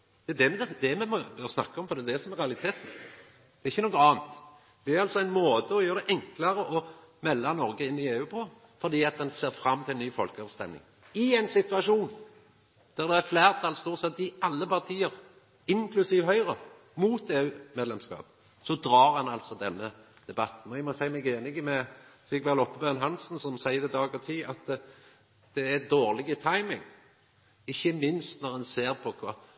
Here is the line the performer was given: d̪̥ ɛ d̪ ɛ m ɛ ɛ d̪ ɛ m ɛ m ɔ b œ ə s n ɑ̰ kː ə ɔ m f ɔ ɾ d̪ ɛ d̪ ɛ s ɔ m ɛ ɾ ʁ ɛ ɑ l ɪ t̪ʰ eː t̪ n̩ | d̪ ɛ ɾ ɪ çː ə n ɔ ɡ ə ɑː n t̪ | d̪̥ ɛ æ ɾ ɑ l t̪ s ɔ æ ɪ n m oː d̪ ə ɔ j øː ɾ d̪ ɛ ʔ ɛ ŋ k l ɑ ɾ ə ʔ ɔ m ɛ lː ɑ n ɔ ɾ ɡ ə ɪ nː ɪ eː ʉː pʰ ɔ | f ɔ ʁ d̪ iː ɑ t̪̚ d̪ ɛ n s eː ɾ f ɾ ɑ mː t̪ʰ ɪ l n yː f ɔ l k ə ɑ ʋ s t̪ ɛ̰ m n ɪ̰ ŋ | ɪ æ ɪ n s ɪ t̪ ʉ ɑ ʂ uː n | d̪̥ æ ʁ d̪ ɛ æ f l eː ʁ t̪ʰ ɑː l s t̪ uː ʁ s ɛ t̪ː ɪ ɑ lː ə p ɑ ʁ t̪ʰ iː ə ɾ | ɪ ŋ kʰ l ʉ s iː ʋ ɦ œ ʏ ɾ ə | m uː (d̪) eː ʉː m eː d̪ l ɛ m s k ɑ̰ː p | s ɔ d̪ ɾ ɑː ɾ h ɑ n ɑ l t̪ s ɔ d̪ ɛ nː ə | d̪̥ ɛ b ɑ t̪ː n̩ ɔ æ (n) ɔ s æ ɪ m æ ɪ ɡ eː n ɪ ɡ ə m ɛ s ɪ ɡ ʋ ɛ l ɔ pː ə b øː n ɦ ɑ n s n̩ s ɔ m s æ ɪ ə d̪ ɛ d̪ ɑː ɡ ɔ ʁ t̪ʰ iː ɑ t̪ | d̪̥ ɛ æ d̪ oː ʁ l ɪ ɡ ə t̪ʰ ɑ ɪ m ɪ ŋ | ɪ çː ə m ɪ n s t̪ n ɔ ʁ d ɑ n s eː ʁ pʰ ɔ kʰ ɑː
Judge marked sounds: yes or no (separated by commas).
no, no